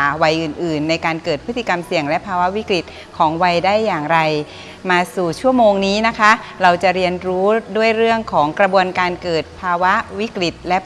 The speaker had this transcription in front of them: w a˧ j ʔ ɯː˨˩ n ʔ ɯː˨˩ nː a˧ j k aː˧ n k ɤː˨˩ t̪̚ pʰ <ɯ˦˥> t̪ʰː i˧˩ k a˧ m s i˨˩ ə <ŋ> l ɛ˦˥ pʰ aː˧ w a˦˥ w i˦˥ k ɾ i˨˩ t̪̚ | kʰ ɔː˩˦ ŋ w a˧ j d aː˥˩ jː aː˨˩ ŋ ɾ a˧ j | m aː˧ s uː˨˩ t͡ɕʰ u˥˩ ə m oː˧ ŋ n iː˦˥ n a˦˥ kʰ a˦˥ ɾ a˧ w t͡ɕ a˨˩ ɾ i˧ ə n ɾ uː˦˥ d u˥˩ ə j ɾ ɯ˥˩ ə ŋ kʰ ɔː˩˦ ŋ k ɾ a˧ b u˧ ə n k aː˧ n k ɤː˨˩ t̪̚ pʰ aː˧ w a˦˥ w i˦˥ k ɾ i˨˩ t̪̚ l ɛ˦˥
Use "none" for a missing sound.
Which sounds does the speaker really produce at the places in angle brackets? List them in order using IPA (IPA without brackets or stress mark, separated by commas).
ɯ˦˥, ŋ